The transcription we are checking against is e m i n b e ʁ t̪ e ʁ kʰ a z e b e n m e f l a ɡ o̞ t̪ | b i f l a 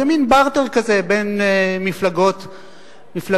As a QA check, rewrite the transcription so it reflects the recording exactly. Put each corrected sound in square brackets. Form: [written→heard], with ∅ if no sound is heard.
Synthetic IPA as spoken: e m i n b [e→a] ʁ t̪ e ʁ [kʰ→k] a z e b e n m [e→i] f l a ɡ o̞ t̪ | [b→m] i f l a